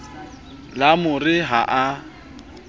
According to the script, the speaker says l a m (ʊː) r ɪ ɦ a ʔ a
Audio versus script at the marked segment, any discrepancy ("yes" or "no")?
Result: yes